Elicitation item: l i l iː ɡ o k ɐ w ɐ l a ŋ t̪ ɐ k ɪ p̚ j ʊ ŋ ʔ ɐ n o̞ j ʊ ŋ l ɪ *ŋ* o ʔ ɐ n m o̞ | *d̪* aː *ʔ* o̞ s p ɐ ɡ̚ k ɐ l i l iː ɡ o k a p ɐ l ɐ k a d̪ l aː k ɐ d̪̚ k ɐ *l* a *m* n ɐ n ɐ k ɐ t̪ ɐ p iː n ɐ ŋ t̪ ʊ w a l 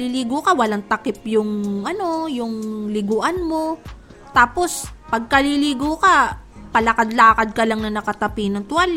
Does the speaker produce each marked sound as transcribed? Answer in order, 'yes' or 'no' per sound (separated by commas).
no, no, no, yes, no